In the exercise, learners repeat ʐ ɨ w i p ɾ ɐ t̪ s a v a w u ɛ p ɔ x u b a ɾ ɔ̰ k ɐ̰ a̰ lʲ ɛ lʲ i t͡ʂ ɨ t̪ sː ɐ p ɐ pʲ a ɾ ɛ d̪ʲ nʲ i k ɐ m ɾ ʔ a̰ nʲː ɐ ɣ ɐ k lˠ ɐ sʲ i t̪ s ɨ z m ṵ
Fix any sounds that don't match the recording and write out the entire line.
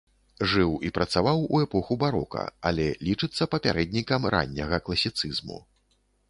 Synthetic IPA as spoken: ʐ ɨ w i p ɾ ɐ t̪ s a v a w u ɛ p ɔ x u b a ɾ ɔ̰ k ɐ̰ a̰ lʲ ɛ lʲ i t͡ʂ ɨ t̪ sː ɐ p ɐ pʲ a ɾ ɛ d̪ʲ nʲ i k ɐ m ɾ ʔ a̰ nʲː ɐ ɣ ɐ k lˠ ɐ sʲ i t̪ s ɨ z m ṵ